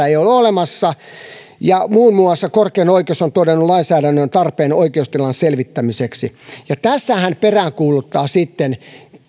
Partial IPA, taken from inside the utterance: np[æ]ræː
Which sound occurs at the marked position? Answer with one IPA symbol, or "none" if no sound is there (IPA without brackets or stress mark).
e